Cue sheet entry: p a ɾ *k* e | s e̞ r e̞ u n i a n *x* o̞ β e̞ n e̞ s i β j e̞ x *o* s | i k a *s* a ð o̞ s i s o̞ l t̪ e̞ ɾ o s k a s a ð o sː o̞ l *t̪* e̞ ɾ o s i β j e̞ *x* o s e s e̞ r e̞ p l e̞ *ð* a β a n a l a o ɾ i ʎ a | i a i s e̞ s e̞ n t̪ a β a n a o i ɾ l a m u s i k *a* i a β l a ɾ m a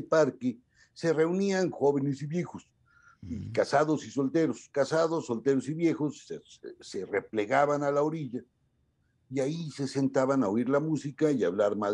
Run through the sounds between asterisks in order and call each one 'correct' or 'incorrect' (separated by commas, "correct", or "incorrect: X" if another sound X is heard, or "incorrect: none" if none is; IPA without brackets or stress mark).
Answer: correct, correct, correct, correct, correct, correct, incorrect: ɣ, correct